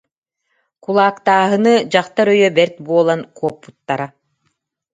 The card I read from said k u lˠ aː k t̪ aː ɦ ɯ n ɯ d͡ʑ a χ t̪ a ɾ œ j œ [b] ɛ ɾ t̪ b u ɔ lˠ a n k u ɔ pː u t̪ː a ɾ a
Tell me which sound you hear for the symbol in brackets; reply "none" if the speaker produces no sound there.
b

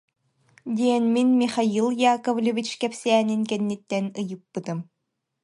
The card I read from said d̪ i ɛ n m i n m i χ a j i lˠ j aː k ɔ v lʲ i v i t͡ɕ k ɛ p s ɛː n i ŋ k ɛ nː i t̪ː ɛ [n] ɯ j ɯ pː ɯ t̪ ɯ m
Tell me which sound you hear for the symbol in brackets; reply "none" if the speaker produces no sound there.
n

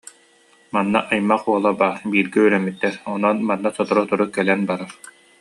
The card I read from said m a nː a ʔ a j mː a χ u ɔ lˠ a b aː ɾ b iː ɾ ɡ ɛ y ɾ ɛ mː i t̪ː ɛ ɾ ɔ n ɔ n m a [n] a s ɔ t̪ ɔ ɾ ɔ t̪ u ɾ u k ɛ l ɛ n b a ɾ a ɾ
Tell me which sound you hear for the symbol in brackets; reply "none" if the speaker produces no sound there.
nː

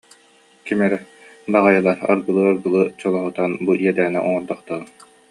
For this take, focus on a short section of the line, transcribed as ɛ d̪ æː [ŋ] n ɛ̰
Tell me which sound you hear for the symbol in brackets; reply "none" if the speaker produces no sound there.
none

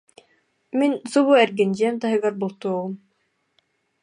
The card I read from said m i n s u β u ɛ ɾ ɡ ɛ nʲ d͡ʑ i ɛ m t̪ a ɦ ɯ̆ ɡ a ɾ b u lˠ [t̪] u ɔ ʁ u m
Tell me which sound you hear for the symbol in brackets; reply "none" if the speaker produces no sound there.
t̪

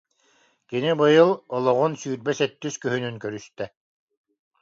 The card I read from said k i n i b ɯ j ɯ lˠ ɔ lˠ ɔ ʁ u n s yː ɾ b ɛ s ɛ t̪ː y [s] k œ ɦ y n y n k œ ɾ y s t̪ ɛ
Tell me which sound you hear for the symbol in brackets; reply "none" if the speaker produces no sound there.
s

